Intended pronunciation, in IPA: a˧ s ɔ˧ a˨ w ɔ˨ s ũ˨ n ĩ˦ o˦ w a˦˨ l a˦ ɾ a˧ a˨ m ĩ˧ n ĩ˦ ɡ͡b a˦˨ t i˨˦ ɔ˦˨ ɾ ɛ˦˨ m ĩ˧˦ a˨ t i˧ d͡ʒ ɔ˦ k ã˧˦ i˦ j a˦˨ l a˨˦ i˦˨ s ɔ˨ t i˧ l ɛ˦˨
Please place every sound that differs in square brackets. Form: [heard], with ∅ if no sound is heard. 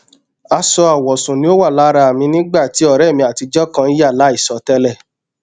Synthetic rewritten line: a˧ s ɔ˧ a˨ w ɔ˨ s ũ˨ n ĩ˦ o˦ w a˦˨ l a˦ ɾ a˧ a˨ m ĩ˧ n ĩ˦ ɡ͡b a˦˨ t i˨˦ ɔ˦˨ ɾ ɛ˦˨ m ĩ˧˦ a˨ t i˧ d͡ʒ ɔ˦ k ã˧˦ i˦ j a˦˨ l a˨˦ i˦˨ s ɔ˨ t [ɛ˧] l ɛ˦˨